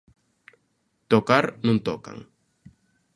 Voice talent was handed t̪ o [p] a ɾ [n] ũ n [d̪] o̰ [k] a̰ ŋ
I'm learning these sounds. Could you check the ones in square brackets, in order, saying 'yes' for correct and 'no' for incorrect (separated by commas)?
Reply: no, yes, no, yes